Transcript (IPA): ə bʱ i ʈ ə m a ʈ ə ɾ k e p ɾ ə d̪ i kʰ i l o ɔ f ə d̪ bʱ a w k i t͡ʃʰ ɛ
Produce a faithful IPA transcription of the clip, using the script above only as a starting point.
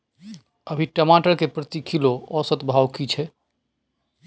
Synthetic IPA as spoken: ə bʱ i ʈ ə m a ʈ ə ɾ k e p ɾ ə t̪ i kʰ i l o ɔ s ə t̪ bʱ a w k i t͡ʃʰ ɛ